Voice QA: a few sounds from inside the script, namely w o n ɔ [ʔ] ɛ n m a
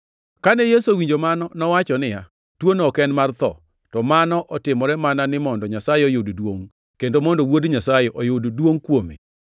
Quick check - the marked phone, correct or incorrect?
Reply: incorrect